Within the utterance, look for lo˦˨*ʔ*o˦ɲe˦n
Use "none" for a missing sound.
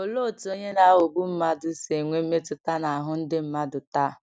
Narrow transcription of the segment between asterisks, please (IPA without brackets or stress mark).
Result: t